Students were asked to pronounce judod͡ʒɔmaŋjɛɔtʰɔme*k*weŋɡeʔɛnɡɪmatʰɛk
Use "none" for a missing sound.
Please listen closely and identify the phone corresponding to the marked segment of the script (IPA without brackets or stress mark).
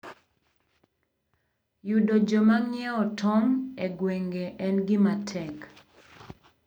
ɡ